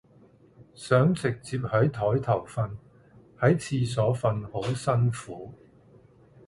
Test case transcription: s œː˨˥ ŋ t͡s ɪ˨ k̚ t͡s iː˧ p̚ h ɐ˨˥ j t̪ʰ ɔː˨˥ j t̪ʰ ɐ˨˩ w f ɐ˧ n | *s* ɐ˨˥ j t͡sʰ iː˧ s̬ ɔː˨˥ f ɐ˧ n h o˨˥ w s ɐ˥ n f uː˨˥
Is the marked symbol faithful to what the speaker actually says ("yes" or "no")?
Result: no